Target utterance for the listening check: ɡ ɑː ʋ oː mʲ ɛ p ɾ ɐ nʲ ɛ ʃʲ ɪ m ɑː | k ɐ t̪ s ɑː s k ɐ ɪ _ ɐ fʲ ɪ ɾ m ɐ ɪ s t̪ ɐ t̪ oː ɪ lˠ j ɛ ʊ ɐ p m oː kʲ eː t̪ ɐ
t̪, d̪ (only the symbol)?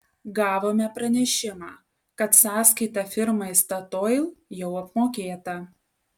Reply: t̪